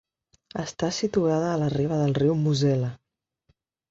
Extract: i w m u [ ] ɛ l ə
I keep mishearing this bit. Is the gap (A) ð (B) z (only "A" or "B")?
B